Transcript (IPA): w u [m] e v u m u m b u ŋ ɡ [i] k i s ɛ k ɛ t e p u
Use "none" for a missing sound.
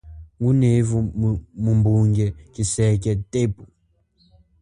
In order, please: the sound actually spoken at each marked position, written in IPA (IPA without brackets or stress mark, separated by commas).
n, ɛ